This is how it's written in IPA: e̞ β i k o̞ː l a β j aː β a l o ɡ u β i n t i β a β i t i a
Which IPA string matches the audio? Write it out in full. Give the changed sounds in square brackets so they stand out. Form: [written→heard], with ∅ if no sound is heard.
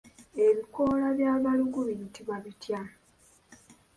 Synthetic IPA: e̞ β i k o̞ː l a β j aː β a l [o→u] ɡ u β i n t i β a β i t [i→j] a